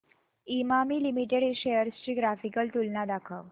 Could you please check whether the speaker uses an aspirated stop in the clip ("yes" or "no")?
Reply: yes